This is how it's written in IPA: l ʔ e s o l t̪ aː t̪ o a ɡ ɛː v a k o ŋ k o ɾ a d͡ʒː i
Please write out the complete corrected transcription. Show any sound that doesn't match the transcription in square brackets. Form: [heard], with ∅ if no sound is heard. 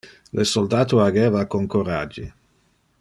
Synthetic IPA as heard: l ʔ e s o l [d̪] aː t̪ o a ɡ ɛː v a k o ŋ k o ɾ a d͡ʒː i